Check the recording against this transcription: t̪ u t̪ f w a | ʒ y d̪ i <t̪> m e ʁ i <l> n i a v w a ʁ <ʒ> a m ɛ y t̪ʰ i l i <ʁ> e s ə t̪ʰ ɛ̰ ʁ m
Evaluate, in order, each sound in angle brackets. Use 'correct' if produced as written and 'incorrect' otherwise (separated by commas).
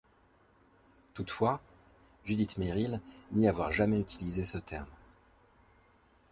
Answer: correct, correct, correct, incorrect